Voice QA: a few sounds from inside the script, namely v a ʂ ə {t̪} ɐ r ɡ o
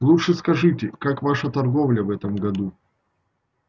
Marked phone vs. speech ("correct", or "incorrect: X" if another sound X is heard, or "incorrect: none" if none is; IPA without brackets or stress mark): correct